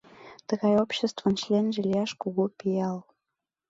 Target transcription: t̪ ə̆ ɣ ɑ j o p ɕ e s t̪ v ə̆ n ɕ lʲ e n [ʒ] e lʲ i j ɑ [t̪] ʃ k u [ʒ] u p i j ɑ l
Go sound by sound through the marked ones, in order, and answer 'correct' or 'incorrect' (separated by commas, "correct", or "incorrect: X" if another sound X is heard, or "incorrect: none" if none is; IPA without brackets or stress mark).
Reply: correct, incorrect: none, incorrect: ɣ